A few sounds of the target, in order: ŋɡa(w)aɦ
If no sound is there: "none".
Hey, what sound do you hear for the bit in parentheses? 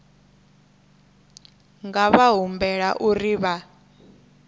β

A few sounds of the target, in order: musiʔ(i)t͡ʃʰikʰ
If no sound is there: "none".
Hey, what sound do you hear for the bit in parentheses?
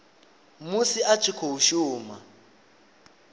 a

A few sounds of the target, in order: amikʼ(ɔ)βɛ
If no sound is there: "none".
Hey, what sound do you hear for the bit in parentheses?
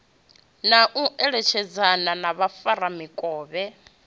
ɔː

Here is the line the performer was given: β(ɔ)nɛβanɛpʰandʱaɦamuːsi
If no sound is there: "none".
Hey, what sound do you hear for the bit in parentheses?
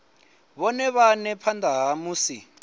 ɔ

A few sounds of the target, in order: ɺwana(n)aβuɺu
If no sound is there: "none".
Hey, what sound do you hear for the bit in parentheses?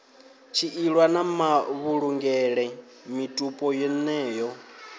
m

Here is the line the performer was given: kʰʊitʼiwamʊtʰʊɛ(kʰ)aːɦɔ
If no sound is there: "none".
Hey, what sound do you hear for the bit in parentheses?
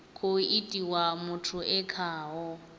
kʰ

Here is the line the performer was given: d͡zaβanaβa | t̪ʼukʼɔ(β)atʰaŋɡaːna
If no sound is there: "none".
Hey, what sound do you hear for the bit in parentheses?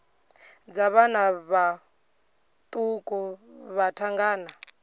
β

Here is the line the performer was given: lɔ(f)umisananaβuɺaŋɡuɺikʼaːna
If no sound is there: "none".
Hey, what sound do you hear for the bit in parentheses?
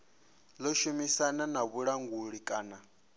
ʃ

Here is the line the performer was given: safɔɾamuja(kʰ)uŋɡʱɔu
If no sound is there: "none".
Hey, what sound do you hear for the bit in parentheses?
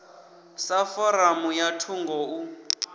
tʰ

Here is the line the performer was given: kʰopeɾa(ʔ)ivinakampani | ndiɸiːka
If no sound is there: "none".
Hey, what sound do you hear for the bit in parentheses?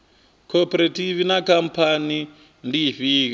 t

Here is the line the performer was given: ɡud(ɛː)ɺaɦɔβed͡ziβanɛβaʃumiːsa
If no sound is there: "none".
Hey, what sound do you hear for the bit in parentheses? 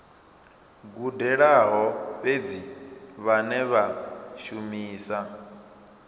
ɛ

